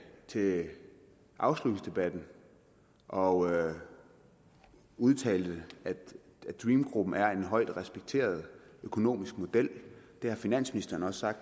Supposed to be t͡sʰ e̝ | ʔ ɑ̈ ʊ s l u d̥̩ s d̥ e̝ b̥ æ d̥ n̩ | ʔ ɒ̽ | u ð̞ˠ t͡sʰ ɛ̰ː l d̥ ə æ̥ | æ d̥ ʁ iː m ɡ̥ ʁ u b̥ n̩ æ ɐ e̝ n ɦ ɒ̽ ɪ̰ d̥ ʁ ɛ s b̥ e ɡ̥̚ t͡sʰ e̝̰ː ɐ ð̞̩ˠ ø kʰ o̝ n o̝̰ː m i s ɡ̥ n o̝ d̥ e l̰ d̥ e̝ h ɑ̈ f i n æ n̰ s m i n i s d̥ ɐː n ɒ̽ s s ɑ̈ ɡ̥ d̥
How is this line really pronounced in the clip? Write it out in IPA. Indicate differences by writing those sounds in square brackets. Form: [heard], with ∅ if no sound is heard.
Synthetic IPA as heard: t͡sʰ e̝ | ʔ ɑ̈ ʊ s l u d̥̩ s d̥ e̝ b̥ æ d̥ n̩ | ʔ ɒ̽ | u ð̞ˠ t͡sʰ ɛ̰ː l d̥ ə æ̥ | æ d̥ ʁ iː m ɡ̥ ʁ u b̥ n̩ æ ɐ e̝ n ɦ ɒ̽ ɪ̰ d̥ ʁ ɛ s b̥ e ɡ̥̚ t͡sʰ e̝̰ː ɐ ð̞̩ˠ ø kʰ o̝ n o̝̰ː m i s ɡ̥ [m] o̝ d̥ e l̰ d̥ e̝ h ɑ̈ f i n æ n̰ s m i n i s d̥ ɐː n ɒ̽ s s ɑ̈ ɡ̥ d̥